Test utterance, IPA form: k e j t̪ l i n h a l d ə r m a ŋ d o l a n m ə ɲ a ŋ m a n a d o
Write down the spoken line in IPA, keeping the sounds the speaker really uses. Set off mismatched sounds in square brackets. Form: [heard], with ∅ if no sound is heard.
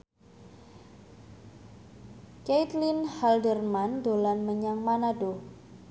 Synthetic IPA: k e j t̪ l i n h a l d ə r m a [n] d o l a n m ə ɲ a ŋ m a n a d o